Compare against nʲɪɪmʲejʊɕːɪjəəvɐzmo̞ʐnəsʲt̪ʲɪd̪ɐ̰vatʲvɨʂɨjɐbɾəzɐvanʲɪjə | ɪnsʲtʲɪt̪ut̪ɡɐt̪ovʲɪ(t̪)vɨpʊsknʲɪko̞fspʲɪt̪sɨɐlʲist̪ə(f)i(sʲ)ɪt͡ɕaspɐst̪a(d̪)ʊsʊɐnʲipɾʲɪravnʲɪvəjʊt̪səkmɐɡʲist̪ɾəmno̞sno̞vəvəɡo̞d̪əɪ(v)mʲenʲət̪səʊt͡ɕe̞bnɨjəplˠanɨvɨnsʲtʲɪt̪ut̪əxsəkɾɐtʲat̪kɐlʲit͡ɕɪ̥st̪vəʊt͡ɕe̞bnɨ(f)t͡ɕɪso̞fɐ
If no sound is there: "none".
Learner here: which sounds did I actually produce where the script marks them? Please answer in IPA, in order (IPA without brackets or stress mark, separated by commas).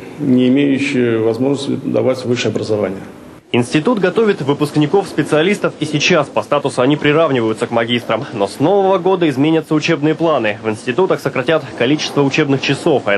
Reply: t̪, f, sʲ, t̪, z, x